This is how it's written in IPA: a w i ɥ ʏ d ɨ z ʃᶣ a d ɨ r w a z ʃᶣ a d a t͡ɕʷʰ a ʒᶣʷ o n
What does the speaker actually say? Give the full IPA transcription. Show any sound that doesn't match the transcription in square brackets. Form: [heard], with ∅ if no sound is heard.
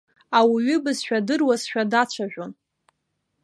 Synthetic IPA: a w i ɥ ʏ [b] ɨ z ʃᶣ a d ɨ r w a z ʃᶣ a d a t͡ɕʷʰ a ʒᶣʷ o n